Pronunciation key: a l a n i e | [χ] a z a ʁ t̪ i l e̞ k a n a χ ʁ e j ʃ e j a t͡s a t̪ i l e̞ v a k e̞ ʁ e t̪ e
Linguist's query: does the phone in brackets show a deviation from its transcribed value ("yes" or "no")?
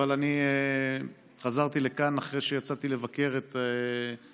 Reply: no